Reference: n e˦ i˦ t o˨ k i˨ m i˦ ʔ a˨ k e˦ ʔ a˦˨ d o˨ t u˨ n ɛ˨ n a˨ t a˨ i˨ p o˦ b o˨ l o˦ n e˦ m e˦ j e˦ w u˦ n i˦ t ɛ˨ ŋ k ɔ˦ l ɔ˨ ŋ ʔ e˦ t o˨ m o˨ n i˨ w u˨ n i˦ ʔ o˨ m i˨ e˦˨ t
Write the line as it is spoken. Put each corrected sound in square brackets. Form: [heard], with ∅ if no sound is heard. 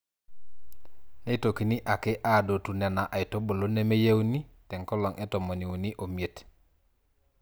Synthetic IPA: n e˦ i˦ t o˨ k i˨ [n] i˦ ʔ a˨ k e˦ ʔ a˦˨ d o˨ t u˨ n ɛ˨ n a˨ [ʔ] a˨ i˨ [t] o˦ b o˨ l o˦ n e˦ m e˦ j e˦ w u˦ n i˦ t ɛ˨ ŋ k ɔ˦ l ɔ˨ ŋ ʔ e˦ t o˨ m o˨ n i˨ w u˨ n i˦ ʔ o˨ m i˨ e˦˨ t